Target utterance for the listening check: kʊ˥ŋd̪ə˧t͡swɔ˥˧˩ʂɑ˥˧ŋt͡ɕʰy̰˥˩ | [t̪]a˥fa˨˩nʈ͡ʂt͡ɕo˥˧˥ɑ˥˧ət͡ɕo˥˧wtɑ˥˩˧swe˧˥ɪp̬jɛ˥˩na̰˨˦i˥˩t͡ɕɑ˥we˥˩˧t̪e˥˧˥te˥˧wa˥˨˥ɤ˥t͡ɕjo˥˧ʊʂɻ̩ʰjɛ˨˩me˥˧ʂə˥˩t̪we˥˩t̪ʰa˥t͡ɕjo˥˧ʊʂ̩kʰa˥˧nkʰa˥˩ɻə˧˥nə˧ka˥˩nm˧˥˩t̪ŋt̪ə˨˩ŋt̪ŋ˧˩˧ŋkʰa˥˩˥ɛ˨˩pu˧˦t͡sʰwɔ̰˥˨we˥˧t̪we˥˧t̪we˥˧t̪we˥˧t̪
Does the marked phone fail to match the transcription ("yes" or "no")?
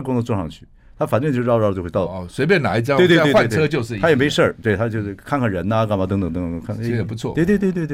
yes